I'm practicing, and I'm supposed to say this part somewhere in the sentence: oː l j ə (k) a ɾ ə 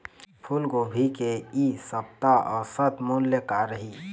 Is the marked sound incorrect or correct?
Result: correct